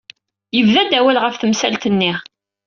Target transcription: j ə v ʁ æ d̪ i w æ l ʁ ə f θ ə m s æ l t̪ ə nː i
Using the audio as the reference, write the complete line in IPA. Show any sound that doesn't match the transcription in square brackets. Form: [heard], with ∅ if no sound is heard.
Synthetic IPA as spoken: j ə v [ð] æ d̪ [æ] w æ l ʁ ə f θ ə m s æ l t̪ ə nː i